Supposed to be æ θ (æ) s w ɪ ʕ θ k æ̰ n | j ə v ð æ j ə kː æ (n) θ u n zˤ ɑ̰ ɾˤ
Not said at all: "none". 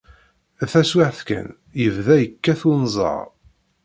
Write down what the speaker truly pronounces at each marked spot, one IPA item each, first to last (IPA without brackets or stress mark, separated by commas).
æ, none